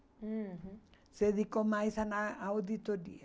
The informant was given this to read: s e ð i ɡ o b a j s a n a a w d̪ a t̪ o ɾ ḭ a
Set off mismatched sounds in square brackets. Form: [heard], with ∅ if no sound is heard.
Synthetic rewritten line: s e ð i [k] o [m] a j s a n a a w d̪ [i] t̪ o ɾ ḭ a